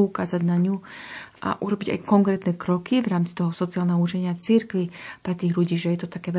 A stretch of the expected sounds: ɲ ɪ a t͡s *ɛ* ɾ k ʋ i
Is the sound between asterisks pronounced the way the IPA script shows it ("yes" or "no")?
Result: no